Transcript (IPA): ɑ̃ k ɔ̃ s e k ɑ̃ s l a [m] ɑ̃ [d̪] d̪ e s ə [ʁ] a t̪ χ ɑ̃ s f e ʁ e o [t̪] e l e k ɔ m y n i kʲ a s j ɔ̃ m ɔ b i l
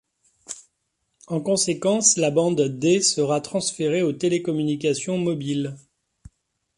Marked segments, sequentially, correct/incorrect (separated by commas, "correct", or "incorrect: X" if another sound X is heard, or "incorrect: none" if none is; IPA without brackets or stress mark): incorrect: b, correct, correct, correct